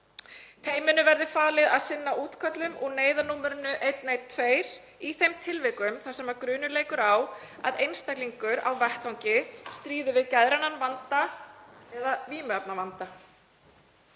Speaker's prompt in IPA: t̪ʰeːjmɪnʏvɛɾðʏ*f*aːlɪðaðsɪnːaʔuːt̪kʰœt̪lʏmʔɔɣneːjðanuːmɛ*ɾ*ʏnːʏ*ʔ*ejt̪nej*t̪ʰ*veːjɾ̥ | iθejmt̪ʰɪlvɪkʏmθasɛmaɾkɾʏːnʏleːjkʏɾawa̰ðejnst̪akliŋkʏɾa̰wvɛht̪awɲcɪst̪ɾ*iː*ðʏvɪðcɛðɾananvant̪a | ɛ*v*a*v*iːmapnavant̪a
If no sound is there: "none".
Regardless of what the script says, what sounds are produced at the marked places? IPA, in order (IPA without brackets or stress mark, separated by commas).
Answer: f, ɾ, ʔ, t̪ʰ, iː, ð, v